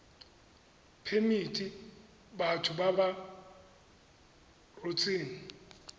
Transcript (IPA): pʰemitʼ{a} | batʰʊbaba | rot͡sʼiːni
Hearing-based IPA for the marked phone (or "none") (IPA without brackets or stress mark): i